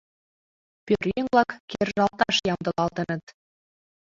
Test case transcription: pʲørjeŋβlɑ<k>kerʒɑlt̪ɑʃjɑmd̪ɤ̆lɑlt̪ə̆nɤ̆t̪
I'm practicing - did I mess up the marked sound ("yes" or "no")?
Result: no